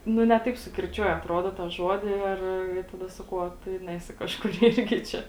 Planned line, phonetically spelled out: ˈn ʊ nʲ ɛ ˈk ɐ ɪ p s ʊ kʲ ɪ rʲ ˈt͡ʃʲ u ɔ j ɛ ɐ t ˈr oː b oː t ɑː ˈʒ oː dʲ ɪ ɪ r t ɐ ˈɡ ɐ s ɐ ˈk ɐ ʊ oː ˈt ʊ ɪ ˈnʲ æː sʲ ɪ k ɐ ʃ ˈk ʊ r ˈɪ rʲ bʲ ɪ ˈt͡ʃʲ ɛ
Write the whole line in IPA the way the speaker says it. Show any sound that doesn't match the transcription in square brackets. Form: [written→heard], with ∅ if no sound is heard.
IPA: ˈn ʊ nʲ ɛ [ˈk→ˈt] ɐ ɪ p s ʊ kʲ ɪ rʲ ˈt͡ʃʲ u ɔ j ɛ ɐ t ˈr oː [b→d] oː t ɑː ˈʒ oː dʲ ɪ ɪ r t ɐ [ˈɡ→ˈd] ɐ s ɐ ˈk ɐ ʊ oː ˈt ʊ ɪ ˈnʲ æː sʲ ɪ k ɐ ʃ ˈk ʊ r ˈɪ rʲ [bʲ→ɡʲ] ɪ ˈt͡ʃʲ ɛ